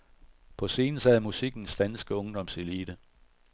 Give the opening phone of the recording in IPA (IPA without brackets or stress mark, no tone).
pʰ